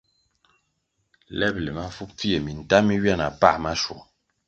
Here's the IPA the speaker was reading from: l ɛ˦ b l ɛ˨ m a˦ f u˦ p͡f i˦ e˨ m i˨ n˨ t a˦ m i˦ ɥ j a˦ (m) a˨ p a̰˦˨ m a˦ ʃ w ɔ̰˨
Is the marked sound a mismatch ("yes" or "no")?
yes